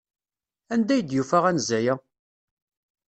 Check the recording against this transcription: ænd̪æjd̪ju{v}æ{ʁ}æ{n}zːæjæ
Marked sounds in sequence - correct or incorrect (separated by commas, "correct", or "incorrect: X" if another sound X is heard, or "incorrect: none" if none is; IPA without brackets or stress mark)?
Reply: incorrect: f, correct, correct